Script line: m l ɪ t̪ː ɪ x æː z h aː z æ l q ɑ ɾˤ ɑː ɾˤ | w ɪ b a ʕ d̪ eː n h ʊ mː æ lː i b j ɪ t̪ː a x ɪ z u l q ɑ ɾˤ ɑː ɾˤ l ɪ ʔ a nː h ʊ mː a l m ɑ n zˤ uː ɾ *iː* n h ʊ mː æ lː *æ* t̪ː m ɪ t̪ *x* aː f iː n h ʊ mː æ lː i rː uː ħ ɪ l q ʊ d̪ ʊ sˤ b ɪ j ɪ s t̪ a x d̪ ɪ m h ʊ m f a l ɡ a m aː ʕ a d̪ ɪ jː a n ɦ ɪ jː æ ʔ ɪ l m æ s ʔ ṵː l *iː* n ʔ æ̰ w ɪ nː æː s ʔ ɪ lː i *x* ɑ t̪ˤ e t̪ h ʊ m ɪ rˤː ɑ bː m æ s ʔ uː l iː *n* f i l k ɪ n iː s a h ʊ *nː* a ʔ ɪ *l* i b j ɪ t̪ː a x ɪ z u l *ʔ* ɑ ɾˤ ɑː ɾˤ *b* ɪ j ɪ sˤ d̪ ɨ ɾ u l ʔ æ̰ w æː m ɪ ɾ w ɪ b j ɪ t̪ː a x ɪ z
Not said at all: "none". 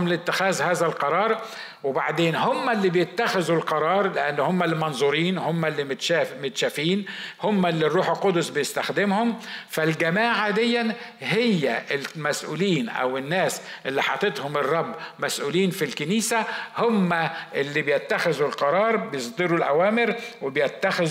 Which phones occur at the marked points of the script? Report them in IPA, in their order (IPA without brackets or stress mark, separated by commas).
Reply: iː, i, ʃ, iː, ħ, n, mː, lː, q, b